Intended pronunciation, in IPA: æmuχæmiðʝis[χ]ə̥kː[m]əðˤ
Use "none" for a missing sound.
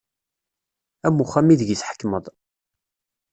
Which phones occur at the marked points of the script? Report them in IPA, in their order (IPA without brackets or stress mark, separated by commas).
ħ, m